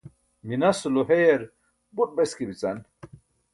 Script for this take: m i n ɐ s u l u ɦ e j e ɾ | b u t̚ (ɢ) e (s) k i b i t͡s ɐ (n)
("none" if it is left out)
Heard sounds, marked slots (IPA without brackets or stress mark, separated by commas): b, s, n